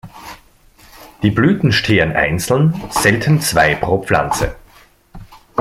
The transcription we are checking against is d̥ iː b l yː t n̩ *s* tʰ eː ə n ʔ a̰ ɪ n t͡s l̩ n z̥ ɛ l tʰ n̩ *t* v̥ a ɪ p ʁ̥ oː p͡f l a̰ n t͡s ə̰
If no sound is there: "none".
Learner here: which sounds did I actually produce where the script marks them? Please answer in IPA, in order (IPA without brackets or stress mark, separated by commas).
ʃ, t͡s